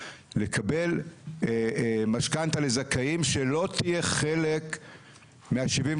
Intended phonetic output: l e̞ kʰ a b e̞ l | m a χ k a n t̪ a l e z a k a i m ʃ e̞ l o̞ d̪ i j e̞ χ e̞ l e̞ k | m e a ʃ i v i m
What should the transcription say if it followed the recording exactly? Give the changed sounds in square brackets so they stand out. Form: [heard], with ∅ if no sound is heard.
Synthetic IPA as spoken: l e̞ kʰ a b e̞ l | m a [ʃ] k a n t̪ a l e z a k a i m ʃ e̞ l o̞ [t̪] i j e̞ χ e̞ l e̞ k | m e a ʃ i v i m